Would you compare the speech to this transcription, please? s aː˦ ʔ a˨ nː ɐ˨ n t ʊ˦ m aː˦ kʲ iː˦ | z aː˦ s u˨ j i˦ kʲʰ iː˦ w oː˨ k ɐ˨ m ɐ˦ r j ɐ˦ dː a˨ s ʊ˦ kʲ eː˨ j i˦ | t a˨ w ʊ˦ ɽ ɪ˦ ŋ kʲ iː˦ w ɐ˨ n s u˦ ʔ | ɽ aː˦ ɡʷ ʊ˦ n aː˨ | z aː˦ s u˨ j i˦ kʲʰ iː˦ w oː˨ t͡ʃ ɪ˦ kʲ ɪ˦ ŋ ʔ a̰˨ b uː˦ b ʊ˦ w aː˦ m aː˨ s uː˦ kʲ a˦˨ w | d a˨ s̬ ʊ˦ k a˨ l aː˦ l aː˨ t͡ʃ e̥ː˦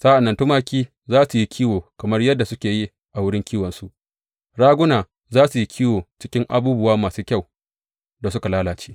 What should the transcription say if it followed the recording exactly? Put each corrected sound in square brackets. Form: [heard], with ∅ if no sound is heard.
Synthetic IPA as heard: s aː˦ ʔ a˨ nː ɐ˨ n t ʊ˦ m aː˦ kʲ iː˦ | z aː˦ s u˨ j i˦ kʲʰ iː˦ w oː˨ k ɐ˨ m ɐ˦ r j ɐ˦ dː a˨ s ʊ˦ kʲ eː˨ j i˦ | [ʔ] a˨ w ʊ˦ ɽ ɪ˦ ŋ kʲ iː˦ w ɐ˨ n s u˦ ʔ | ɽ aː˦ ɡʷ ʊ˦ n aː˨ | z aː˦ s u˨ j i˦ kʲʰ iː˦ w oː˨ t͡ʃ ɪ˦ kʲ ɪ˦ ŋ ʔ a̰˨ b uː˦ b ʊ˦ w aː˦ m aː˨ s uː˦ kʲ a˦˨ w | d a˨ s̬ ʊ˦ k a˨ l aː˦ l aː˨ t͡ʃ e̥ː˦